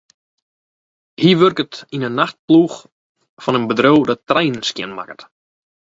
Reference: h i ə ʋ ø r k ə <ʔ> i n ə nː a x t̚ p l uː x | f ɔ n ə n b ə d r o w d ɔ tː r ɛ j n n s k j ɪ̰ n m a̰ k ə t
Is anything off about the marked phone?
yes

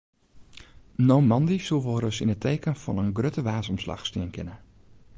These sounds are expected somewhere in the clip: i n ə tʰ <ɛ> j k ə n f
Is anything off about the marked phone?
yes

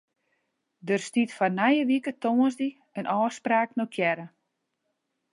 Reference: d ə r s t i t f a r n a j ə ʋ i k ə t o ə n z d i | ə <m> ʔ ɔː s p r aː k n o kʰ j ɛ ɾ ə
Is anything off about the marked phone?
yes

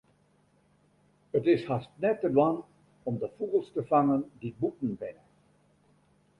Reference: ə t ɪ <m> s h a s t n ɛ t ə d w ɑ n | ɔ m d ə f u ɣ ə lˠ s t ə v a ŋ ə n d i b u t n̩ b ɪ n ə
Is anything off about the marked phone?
yes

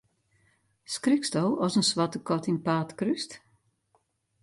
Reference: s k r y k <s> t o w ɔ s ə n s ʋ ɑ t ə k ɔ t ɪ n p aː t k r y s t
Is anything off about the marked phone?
no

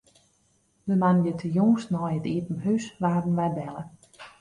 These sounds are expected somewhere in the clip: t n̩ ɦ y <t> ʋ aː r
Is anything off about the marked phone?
yes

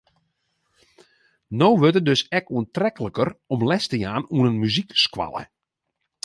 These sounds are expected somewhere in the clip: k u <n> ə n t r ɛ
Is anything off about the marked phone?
yes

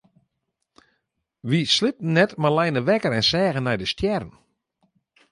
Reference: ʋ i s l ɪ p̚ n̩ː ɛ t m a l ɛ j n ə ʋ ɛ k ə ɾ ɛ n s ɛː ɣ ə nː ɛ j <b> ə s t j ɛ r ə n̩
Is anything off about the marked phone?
yes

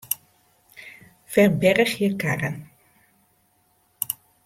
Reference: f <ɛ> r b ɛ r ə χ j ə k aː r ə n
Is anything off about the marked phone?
no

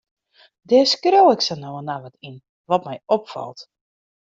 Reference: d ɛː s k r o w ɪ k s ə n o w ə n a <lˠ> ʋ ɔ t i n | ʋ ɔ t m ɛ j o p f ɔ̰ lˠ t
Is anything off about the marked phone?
yes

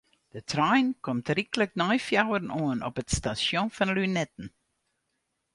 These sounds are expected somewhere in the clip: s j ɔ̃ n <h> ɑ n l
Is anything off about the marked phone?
yes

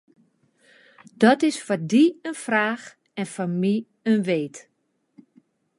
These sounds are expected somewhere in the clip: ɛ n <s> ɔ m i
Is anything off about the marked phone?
yes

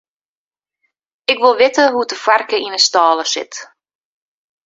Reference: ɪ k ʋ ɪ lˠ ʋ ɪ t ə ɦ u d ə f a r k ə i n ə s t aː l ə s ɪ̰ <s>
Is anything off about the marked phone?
yes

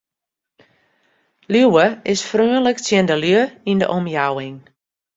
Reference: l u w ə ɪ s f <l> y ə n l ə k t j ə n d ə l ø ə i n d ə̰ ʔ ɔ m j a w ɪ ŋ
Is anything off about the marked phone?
yes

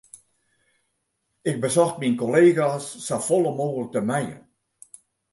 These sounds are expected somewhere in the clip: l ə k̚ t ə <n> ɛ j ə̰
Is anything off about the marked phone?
yes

